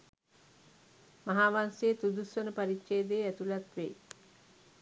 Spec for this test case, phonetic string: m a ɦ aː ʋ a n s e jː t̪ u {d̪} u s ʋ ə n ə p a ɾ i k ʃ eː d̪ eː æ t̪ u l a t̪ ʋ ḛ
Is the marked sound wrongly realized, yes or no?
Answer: no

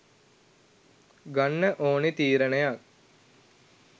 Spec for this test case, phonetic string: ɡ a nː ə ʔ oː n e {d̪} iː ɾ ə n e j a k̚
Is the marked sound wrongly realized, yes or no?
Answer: yes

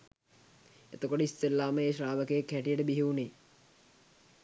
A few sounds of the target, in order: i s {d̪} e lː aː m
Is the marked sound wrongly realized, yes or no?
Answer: yes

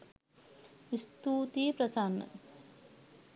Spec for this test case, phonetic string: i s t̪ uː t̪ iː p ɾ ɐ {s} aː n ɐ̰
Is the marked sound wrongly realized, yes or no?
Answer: no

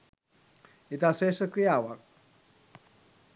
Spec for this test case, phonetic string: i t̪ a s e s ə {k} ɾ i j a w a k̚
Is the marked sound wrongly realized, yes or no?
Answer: no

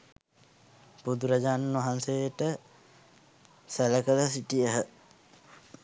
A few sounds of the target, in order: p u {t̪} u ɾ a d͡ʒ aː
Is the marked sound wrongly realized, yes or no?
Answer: yes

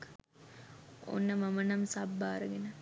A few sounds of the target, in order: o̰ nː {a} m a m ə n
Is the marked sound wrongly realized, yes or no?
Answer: yes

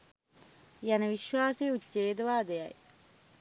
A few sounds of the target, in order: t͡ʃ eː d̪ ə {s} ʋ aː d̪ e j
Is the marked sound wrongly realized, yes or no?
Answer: yes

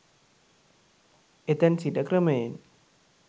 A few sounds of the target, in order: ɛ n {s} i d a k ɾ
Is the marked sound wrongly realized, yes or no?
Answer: no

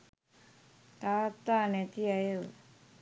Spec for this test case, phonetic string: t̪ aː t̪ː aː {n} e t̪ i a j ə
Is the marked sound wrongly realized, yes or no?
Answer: no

